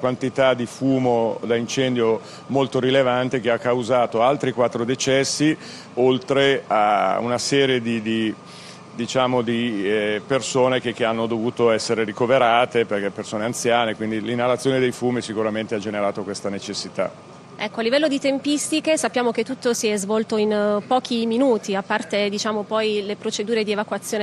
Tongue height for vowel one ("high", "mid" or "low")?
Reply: low